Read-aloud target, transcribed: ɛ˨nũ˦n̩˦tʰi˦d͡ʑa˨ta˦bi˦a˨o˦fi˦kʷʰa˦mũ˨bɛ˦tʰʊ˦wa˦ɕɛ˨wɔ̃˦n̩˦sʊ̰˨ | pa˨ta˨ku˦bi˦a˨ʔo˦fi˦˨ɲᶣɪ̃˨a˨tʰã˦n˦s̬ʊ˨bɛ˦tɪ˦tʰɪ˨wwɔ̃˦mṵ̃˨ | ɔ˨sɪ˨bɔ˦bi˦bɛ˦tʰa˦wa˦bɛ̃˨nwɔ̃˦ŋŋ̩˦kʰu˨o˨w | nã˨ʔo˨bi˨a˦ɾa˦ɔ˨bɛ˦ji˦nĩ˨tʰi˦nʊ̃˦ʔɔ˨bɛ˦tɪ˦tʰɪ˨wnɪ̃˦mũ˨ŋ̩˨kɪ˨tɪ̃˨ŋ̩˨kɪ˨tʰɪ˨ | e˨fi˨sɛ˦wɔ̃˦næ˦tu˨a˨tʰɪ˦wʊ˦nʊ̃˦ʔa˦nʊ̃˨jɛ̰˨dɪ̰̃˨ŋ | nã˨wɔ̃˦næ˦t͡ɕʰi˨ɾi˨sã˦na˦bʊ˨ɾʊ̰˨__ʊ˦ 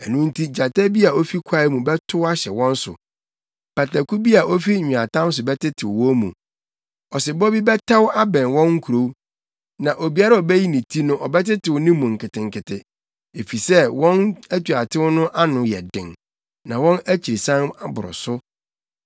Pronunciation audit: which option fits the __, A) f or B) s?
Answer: B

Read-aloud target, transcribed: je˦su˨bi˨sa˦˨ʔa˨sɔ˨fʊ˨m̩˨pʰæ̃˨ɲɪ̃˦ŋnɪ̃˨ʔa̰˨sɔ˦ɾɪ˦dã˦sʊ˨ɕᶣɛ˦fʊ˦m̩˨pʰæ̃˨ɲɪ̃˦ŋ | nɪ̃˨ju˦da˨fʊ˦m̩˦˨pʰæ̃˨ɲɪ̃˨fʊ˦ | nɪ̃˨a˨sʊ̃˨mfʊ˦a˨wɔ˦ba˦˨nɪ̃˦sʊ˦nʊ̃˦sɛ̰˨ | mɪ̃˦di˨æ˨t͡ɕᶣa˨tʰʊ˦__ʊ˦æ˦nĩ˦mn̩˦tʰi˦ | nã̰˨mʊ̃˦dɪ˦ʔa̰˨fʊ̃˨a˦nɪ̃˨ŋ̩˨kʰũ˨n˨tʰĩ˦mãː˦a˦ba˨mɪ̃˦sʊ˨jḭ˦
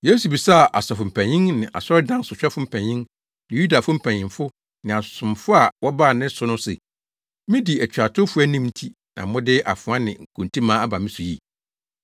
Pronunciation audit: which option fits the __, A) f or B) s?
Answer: A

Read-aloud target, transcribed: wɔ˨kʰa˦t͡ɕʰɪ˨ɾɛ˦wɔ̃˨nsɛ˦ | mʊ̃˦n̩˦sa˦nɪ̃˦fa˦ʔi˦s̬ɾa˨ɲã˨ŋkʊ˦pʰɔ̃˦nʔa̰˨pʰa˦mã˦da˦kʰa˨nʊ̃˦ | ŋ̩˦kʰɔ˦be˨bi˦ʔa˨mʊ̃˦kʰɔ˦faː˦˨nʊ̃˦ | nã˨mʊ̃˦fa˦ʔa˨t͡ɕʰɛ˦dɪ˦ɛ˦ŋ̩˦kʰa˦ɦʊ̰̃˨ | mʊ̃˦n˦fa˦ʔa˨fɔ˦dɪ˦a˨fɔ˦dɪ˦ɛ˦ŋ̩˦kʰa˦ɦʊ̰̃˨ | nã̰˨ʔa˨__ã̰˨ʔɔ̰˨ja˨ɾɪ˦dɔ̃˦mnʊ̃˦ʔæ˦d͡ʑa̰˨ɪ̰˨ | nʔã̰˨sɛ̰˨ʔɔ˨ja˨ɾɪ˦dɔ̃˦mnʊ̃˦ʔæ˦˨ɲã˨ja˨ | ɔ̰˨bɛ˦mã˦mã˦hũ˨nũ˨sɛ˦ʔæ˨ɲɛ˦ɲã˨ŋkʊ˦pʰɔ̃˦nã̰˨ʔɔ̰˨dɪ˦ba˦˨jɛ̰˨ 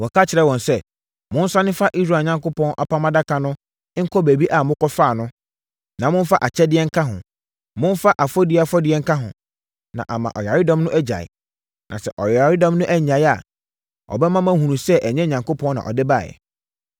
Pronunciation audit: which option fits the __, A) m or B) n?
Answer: A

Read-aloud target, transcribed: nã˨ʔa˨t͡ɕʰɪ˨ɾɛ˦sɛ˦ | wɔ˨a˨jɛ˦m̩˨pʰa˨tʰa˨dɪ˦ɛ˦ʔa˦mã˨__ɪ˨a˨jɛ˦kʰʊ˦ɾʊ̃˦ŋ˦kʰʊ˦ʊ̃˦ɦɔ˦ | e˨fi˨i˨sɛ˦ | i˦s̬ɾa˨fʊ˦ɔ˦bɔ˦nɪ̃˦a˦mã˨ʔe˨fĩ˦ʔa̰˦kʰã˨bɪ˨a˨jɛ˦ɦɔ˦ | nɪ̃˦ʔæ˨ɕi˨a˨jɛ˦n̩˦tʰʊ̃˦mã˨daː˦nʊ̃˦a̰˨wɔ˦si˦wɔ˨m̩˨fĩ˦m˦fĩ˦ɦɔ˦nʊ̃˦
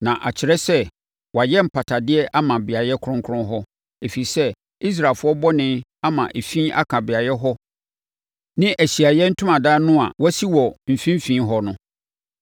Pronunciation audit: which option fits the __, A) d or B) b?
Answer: B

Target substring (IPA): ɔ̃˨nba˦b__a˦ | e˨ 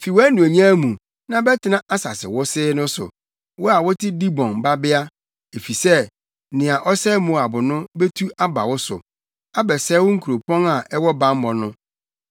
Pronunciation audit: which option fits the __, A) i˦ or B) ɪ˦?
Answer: B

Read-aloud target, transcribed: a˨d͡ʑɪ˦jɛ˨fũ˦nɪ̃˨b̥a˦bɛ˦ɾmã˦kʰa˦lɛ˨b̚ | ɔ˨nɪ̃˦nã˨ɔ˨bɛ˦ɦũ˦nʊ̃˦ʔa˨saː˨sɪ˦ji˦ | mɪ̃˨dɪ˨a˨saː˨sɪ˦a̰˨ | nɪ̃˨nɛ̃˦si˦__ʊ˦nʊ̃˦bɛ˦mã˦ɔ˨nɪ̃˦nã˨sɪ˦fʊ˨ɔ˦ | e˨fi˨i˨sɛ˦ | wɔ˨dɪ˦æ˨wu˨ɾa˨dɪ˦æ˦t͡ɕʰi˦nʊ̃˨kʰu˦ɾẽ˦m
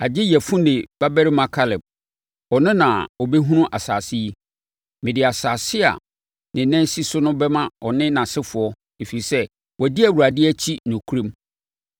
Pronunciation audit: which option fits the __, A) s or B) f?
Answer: A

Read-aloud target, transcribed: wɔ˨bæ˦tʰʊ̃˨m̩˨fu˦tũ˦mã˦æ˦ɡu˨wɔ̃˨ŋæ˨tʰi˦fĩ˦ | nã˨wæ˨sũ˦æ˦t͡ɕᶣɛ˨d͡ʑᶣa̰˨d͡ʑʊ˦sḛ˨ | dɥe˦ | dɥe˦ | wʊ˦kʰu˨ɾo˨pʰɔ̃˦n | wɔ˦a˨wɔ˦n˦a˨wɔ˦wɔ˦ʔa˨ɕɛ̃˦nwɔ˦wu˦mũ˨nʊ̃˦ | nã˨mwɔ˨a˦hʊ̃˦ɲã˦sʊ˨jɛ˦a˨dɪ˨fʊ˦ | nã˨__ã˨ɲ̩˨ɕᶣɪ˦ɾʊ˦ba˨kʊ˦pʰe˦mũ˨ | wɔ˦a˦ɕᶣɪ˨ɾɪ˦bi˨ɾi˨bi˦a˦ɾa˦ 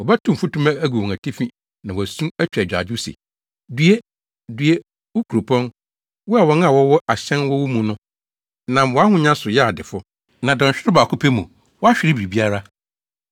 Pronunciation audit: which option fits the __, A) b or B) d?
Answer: B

